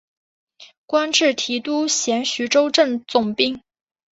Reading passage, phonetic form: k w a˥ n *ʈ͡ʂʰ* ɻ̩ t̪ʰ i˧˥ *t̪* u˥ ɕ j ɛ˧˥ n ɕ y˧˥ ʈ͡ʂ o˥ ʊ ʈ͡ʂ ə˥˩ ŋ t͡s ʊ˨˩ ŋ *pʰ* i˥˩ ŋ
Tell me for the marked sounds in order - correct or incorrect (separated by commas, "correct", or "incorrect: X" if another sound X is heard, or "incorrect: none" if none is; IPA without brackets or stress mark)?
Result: incorrect: ʈ͡ʂ, correct, incorrect: p